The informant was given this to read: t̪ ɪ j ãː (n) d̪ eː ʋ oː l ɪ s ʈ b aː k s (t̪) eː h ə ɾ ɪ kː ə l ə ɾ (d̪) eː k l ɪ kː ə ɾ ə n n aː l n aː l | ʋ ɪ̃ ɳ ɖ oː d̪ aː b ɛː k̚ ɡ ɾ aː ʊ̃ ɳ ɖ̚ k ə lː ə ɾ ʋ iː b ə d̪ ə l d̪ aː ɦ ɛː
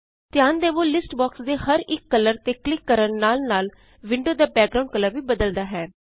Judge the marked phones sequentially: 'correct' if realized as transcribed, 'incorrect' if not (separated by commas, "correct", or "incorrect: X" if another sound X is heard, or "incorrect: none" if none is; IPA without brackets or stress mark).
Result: correct, incorrect: d̪, incorrect: t̪